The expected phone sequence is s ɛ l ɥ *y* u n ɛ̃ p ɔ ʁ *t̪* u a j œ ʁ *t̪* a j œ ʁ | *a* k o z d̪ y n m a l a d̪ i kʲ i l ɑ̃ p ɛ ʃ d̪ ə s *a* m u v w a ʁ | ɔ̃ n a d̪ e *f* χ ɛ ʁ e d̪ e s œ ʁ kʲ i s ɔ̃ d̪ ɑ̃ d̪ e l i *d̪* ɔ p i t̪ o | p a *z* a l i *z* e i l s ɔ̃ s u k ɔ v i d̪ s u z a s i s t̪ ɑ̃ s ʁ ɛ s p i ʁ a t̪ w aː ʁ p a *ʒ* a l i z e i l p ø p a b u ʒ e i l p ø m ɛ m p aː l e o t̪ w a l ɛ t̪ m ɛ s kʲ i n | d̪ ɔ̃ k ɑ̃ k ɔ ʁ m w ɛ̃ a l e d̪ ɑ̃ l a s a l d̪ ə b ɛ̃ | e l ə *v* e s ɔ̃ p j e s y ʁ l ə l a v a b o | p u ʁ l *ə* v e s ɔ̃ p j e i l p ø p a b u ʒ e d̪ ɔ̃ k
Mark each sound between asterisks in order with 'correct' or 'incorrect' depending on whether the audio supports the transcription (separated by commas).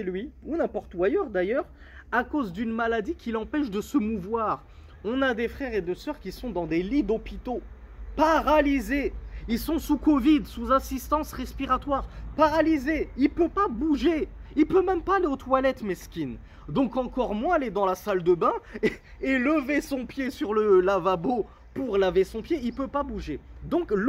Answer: incorrect, correct, incorrect, correct, incorrect, correct, correct, incorrect, correct, incorrect, correct, incorrect